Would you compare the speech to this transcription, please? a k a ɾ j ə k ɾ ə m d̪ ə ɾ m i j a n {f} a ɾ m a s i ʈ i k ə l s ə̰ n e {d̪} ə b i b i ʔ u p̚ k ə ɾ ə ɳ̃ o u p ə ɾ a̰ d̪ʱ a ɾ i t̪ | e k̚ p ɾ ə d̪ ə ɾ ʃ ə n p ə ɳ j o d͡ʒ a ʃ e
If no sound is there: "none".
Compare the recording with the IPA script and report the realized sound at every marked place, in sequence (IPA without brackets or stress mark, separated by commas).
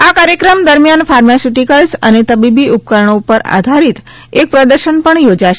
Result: f, t̪